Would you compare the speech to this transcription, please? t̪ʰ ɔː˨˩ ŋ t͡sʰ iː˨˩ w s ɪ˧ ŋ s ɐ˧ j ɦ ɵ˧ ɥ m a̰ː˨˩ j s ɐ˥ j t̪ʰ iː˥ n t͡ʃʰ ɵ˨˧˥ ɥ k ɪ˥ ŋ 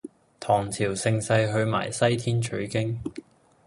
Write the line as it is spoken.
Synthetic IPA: t̪ʰ ɔː˨˩ ŋ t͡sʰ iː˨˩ w s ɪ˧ ŋ s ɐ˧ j ɦ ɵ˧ ɥ m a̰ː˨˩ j s ɐ˥ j t̪ʰ iː˥ n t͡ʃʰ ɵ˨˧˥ ɥ k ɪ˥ ŋ